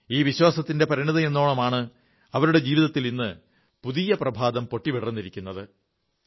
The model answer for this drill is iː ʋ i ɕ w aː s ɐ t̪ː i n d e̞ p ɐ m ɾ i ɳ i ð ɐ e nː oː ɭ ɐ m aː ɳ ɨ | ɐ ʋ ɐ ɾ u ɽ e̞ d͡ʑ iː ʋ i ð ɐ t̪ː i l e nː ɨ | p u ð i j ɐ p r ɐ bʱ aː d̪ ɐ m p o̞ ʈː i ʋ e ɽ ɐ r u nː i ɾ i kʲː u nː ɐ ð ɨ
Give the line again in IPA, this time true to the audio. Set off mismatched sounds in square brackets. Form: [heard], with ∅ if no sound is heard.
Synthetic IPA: iː ʋ i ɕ w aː s ɐ t̪ː i n d e̞ p ɐ [∅] ɾ i ɳ i ð ɐ e nː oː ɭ ɐ m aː ɳ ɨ | ɐ ʋ ɐ ɾ u ɽ e̞ d͡ʑ iː ʋ i ð ɐ t̪ː i l [i] nː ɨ | p u ð i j ɐ p r ɐ bʱ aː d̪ ɐ m p o̞ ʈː i ʋ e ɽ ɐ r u nː i ɾ i kʲː u nː ɐ ð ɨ